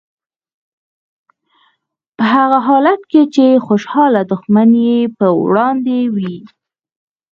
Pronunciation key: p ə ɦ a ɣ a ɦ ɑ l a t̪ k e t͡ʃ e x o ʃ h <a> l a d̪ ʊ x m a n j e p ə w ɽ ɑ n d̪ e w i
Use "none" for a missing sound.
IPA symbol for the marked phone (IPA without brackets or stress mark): ɑ